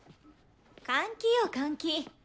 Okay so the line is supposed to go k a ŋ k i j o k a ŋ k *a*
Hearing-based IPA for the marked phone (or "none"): i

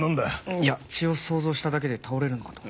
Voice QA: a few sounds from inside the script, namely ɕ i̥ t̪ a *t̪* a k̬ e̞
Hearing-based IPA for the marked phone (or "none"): d̪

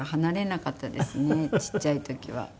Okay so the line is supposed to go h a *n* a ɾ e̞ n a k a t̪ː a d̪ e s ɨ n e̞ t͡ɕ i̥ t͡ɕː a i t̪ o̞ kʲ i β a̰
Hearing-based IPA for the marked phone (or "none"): n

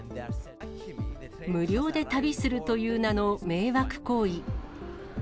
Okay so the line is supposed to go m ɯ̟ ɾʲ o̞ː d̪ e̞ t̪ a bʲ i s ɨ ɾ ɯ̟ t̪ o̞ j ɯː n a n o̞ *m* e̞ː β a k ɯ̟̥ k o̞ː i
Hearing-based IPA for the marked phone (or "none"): m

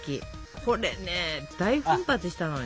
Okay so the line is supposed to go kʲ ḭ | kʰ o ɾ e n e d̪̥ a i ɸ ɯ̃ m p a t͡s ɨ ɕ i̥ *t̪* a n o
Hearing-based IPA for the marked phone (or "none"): t̪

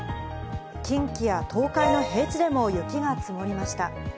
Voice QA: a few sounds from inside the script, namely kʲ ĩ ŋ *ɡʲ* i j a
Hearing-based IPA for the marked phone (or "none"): kʲ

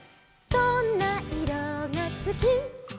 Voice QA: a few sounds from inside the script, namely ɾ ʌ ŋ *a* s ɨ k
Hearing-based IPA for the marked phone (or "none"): a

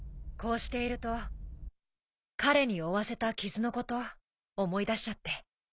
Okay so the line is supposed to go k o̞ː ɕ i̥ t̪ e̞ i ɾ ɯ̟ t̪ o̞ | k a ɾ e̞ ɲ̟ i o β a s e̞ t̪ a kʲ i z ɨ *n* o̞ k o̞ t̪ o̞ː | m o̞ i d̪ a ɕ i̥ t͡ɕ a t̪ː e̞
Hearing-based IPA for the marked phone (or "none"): n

